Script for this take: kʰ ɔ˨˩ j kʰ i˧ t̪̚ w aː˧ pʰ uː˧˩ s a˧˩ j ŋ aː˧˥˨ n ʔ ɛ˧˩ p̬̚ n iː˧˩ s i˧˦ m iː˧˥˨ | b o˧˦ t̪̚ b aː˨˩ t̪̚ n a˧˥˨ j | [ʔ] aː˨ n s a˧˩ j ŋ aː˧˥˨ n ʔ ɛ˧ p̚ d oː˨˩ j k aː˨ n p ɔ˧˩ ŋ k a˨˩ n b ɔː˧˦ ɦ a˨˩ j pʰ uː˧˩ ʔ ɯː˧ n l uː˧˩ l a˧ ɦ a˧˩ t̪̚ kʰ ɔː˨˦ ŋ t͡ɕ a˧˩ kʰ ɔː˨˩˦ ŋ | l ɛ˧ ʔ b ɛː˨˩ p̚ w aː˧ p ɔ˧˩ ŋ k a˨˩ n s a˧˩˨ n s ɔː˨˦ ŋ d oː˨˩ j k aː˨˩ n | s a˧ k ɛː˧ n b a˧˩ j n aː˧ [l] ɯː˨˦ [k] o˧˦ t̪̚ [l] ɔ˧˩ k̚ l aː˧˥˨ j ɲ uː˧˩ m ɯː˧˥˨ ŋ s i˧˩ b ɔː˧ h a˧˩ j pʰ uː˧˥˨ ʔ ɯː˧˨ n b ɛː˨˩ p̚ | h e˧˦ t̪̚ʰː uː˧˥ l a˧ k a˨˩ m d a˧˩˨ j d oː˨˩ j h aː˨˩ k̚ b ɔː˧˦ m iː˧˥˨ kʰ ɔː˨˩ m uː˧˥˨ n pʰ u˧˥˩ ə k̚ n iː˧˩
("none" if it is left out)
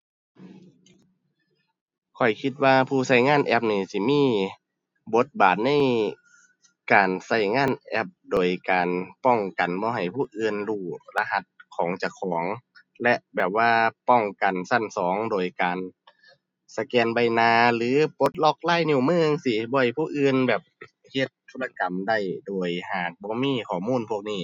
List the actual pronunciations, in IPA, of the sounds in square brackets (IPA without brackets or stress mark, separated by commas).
k, l, p, l